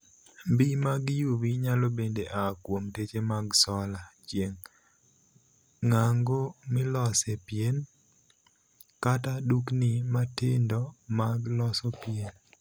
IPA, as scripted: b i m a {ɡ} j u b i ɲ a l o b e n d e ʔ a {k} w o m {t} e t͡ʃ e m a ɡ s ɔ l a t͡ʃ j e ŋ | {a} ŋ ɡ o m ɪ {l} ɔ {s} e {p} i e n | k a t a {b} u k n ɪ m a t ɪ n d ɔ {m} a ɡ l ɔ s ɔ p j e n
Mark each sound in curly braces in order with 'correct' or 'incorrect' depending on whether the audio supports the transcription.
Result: correct, correct, correct, correct, correct, correct, correct, incorrect, correct

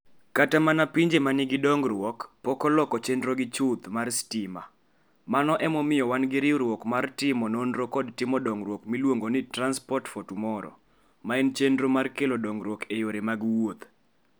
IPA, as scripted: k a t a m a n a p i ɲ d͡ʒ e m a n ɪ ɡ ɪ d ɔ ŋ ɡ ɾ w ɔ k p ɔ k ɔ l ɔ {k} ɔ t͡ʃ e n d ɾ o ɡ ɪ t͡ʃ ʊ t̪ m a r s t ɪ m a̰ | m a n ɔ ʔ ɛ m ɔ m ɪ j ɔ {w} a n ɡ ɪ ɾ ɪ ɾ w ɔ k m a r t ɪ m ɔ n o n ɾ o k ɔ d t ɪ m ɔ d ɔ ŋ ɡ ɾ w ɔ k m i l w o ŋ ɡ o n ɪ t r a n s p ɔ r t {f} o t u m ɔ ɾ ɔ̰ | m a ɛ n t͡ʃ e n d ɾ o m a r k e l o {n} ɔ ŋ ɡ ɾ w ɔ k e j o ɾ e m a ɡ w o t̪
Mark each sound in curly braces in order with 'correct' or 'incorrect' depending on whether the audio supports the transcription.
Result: correct, correct, correct, incorrect

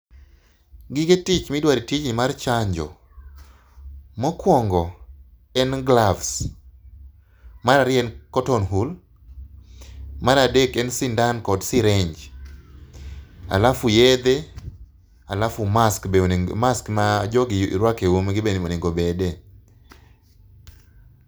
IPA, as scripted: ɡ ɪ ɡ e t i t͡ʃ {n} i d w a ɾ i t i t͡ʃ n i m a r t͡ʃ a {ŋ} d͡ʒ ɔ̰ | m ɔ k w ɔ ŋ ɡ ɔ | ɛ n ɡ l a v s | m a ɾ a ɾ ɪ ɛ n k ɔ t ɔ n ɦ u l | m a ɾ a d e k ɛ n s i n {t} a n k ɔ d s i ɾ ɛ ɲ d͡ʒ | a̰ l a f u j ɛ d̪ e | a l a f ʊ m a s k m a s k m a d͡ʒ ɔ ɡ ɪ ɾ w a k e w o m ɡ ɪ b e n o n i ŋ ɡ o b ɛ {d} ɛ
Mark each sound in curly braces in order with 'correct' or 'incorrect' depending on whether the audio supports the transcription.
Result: incorrect, incorrect, incorrect, correct

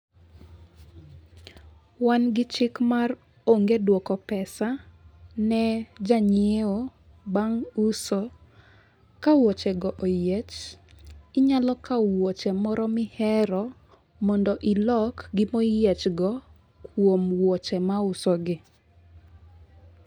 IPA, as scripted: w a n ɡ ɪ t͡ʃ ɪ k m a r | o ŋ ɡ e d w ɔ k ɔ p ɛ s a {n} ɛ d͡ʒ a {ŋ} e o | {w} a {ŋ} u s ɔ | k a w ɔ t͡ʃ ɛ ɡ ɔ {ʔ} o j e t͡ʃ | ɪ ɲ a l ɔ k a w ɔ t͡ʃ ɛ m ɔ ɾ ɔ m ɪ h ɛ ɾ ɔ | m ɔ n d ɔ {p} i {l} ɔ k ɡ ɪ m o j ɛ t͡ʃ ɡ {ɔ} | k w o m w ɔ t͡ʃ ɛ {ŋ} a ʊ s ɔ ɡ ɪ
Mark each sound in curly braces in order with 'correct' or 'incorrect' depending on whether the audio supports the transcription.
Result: correct, incorrect, incorrect, correct, correct, incorrect, correct, correct, incorrect

